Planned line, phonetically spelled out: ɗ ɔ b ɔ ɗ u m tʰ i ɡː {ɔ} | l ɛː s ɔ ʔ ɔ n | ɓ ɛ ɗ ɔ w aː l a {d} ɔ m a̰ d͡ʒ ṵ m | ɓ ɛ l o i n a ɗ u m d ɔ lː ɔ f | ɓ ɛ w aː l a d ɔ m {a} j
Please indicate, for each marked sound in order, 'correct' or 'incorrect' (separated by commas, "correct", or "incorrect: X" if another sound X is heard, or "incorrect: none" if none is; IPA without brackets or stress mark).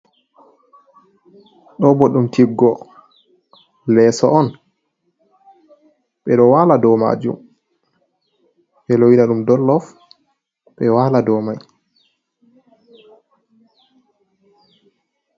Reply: correct, correct, correct